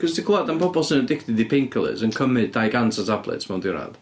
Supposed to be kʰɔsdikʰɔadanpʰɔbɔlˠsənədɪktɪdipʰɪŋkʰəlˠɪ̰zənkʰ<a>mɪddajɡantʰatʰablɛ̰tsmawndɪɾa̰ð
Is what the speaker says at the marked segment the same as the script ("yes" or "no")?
no